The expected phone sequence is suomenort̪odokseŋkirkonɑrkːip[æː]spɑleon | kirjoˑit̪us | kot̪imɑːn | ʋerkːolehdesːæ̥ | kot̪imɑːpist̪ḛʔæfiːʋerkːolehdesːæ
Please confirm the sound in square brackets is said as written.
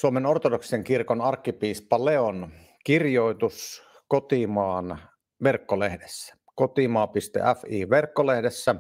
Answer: no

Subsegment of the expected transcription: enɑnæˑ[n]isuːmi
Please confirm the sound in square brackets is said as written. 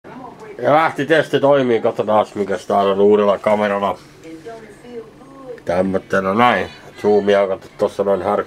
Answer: no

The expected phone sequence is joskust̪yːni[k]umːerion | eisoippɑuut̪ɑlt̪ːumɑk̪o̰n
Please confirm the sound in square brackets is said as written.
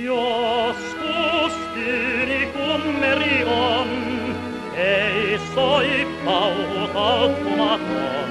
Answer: yes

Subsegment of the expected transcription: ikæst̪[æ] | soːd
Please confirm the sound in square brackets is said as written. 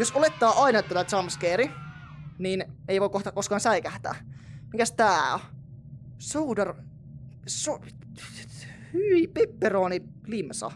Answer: no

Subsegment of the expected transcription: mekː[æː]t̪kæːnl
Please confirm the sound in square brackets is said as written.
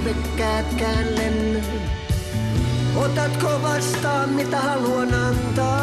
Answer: yes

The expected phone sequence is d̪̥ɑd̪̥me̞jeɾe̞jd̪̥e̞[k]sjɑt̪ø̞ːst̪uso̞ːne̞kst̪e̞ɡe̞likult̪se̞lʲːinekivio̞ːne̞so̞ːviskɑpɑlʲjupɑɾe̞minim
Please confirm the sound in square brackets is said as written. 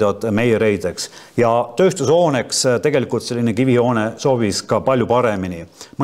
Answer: yes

